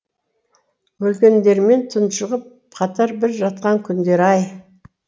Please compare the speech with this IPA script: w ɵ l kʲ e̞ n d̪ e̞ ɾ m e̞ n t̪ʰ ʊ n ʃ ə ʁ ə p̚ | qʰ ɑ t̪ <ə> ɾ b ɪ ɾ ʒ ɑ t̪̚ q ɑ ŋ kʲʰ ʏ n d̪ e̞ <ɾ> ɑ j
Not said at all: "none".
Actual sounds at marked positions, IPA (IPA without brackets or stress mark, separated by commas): ɑ, ɾ